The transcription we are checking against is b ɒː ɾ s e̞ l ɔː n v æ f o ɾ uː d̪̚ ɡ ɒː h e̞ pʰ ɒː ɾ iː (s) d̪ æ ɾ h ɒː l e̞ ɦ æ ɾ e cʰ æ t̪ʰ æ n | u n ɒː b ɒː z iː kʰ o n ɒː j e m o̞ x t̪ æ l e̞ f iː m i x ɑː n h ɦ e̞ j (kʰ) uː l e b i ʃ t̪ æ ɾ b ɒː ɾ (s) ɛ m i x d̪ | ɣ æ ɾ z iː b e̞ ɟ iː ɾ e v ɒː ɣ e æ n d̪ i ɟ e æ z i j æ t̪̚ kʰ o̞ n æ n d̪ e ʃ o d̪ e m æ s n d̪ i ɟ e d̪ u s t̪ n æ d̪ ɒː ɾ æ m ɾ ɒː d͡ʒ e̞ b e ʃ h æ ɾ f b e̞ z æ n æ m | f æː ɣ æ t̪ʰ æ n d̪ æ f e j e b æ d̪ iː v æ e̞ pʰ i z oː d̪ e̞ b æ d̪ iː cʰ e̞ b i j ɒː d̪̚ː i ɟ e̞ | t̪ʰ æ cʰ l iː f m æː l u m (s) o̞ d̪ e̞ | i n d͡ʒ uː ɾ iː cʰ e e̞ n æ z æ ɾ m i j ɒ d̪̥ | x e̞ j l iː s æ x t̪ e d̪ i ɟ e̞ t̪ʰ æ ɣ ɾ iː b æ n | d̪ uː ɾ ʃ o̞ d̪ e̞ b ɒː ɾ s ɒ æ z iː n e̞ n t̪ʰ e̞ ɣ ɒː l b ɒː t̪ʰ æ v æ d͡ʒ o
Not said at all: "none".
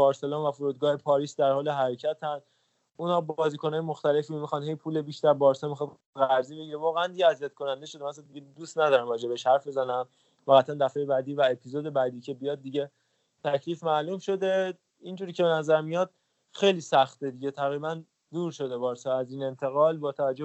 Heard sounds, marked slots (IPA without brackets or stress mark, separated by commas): s, pʰ, s, ʃ